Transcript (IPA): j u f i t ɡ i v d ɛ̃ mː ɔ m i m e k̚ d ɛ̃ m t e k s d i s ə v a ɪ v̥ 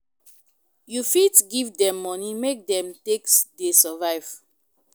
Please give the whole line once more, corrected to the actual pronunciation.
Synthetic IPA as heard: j u f i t ɡ i v d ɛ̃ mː ɔ n i m e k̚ d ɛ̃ m t e k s d e s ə v a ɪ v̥